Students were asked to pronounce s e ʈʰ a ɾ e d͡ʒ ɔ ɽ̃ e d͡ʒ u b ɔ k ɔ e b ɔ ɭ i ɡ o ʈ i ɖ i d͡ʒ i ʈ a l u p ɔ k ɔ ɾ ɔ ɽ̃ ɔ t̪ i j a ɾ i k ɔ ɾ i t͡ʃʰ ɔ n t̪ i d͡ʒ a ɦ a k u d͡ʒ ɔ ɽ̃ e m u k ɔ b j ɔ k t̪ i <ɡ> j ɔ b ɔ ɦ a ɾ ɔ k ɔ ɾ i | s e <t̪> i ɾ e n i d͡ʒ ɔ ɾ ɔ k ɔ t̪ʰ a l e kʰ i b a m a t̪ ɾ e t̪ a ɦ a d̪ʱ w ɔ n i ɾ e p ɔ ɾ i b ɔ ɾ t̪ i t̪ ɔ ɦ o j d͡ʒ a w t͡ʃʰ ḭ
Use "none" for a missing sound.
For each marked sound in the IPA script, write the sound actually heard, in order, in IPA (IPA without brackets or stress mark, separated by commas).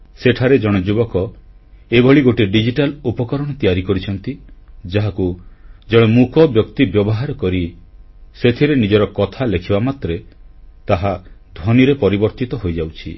b, t̪ʰ